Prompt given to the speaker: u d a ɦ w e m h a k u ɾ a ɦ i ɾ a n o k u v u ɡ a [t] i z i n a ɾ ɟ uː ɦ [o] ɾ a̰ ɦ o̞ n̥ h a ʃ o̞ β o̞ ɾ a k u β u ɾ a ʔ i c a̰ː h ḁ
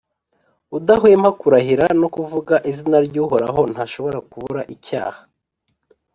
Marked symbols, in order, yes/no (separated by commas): no, yes